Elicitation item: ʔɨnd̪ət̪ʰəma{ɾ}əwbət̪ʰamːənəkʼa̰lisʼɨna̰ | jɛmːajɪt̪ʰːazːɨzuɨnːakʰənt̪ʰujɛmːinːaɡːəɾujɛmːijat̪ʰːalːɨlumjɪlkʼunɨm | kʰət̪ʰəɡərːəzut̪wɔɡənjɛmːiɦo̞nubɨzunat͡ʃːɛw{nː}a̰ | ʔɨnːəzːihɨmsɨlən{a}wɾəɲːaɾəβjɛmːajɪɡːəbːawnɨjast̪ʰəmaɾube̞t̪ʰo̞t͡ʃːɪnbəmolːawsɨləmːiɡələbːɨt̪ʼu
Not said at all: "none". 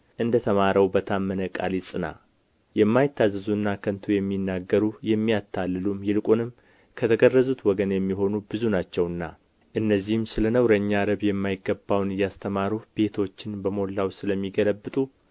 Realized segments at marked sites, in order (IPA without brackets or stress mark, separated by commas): ɾ, nː, ə